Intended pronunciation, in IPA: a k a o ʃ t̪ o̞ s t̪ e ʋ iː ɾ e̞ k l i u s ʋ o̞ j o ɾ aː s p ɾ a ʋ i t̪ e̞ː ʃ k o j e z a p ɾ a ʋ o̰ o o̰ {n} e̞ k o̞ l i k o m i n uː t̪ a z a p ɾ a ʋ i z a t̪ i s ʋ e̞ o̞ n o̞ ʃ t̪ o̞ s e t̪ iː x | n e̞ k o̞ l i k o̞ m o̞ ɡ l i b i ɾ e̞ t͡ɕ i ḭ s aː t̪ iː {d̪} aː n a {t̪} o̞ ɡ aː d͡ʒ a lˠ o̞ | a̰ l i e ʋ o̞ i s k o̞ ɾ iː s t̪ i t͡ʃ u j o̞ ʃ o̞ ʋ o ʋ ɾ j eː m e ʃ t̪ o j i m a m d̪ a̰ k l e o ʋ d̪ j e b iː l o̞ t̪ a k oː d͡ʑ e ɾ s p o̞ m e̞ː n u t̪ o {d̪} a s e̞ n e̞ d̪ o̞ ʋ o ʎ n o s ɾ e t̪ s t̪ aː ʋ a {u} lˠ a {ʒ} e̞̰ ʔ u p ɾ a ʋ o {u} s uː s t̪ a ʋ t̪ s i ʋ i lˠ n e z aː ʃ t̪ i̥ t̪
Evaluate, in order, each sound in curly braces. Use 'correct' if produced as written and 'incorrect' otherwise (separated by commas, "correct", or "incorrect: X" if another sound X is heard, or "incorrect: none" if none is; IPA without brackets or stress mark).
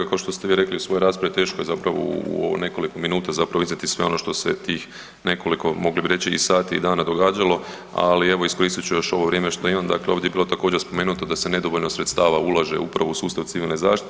correct, correct, incorrect: d̪, correct, correct, correct, correct